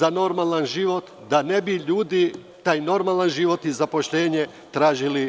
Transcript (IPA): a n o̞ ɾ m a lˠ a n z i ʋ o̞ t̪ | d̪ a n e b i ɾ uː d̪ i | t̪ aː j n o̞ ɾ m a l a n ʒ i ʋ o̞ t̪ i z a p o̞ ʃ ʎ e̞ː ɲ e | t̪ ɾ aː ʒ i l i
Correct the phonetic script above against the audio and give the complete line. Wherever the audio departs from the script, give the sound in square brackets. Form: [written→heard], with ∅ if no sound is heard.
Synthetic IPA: a n o̞ ɾ m a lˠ a n [z→ʒ] i ʋ o̞ t̪ | d̪ a n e b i [ɾ→ʎ] uː d̪ i | t̪ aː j n o̞ ɾ m a l a n ʒ i ʋ o̞ t̪ i z a p o̞ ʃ ʎ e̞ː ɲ e | t̪ ɾ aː ʒ i l i